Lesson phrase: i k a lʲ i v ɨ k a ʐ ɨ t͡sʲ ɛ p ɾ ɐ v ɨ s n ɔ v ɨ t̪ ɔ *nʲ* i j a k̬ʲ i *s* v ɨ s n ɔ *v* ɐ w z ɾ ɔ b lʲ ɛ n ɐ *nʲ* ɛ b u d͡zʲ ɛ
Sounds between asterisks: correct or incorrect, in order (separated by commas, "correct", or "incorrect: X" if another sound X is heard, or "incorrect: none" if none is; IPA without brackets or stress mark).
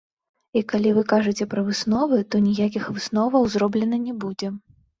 correct, incorrect: x, correct, correct